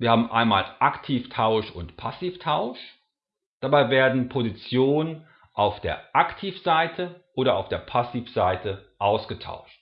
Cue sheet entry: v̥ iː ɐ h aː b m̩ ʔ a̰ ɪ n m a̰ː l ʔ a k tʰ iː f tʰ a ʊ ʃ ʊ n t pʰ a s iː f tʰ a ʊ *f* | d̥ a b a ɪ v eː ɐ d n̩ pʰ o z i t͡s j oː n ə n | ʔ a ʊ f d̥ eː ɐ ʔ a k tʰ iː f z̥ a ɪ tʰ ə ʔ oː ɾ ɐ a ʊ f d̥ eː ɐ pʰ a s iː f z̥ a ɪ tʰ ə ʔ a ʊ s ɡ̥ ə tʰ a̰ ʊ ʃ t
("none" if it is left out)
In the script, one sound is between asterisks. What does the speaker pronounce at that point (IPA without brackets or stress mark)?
ʃ